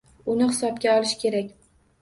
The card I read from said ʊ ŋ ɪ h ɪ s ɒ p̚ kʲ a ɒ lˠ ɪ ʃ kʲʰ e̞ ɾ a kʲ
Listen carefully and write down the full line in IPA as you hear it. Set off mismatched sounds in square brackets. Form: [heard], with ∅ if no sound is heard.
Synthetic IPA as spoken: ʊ [n] ɪ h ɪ s ɒ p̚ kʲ a ɒ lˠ ɪ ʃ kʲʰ e̞ ɾ a kʲ

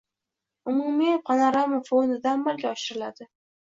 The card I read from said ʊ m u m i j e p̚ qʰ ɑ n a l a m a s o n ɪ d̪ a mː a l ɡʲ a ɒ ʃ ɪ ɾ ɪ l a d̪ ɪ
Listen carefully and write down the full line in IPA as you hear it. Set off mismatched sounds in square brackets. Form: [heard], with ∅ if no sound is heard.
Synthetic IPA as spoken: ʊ m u m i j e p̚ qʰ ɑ n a [ɾ] a m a [f] o n ɪ d̪ a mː a l ɡʲ a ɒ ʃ ɪ ɾ ɪ l a d̪ ɪ

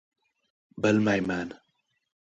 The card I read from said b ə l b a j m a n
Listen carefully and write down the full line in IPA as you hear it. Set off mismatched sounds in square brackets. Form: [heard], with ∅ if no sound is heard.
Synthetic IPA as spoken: b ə l [m] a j m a n

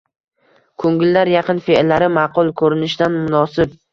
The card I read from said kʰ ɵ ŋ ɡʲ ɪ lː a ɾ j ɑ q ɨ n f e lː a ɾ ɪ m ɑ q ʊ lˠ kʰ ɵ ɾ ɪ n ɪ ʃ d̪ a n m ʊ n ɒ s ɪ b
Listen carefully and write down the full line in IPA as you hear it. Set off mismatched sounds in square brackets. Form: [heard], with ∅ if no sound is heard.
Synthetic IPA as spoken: kʰ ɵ ŋ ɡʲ ɪ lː a ɾ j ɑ q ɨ n f e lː a ɾ ɪ m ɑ q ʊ lˠ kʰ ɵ ɾ ɪ n ɪ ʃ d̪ a n m ʊ n ɒ s ɪ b

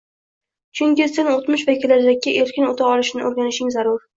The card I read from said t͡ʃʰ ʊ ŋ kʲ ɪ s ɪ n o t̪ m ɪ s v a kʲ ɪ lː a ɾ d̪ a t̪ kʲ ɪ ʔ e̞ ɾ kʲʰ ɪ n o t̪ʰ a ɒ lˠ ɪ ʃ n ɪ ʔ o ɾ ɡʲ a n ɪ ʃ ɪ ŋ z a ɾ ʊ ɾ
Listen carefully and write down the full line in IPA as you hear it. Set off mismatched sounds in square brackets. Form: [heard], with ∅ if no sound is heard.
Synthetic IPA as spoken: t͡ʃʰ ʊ ŋ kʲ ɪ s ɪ n o t̪ m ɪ [ʃ] v a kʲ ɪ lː a ɾ d̪ a [∅] kʲ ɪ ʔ e̞ ɾ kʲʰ ɪ n o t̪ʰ a ɒ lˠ ɪ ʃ n ɪ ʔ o ɾ ɡʲ a n ɪ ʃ ɪ ŋ z a ɾ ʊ ɾ

